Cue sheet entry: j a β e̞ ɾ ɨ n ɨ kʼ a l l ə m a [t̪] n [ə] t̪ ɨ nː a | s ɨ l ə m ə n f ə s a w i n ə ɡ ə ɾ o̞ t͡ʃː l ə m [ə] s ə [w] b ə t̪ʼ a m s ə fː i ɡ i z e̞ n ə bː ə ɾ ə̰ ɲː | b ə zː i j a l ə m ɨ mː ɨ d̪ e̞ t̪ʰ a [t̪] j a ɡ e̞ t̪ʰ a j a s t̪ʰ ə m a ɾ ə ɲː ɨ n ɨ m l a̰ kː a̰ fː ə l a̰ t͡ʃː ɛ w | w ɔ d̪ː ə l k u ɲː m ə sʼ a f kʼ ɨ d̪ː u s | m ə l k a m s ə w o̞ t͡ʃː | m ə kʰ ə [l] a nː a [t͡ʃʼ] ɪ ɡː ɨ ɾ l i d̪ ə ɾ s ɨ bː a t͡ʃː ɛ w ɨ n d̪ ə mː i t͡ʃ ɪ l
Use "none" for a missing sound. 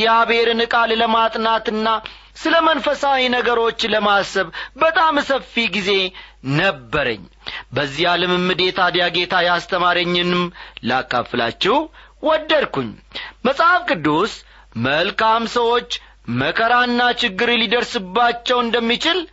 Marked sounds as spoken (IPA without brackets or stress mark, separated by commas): t̪ʼ, a, a, β, d̪, ɾ, t͡ʃ